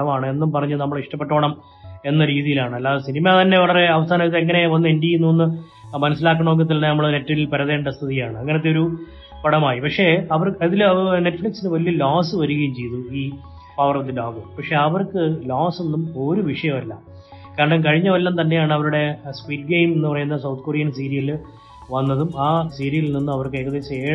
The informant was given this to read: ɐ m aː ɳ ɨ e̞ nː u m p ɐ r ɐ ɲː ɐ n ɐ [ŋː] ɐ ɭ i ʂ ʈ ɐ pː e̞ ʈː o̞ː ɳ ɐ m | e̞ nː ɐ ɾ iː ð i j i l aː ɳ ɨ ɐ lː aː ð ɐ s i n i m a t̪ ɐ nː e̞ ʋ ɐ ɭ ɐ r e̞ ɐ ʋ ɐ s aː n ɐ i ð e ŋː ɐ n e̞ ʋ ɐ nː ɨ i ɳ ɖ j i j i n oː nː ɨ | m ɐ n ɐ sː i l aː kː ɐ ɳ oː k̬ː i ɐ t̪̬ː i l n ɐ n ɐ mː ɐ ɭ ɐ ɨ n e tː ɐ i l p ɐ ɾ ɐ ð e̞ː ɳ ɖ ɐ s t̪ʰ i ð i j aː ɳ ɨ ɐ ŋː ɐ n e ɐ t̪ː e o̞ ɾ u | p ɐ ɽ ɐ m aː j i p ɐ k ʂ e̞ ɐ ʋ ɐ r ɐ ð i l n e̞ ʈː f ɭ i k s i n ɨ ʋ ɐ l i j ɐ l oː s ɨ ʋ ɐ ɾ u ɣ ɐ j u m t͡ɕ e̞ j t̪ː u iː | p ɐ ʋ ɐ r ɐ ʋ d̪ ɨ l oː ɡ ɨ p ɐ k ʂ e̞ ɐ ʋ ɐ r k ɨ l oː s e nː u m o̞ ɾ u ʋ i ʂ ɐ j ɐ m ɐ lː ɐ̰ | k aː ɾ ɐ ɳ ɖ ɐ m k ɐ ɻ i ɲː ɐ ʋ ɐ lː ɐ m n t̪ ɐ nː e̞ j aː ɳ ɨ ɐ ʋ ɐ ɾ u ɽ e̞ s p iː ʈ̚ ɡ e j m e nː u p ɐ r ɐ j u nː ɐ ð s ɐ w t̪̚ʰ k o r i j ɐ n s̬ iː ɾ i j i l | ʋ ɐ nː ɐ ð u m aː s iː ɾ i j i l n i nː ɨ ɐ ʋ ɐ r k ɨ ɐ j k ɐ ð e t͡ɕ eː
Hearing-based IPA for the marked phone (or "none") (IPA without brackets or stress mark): mː